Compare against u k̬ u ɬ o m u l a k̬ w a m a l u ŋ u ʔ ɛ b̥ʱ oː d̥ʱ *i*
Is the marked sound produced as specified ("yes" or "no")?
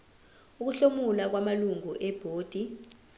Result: yes